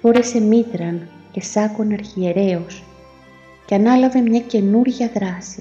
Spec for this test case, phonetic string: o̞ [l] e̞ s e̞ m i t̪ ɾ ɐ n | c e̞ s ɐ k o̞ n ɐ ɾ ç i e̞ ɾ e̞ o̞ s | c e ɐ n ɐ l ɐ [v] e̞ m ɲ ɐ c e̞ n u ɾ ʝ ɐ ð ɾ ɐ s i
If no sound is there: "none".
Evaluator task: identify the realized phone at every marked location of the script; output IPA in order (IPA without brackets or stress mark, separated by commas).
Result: ɾ, v